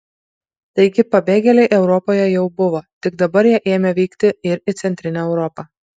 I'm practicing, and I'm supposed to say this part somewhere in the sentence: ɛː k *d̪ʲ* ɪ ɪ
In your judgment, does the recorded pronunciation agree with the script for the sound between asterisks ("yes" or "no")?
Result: no